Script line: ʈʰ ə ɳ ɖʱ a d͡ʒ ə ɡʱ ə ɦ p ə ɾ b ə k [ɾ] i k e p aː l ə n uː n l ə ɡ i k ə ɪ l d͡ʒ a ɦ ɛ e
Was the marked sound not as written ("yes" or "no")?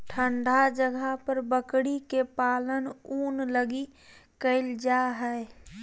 yes